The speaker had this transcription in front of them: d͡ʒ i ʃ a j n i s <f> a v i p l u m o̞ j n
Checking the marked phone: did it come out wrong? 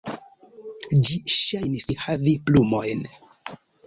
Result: yes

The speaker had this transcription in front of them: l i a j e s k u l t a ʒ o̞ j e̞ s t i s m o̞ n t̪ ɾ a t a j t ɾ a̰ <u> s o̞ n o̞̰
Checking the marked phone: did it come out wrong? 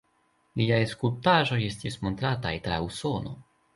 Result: no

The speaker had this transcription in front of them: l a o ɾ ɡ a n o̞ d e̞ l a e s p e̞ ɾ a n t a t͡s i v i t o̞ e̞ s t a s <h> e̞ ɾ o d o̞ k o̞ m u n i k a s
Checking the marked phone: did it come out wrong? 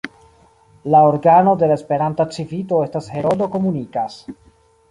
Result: no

